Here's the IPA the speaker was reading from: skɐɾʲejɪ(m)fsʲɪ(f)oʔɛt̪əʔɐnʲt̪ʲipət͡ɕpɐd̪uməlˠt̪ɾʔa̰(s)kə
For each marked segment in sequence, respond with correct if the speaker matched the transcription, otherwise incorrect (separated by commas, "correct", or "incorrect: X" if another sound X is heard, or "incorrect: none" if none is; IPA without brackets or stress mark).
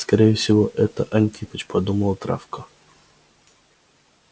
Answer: incorrect: none, incorrect: v, incorrect: f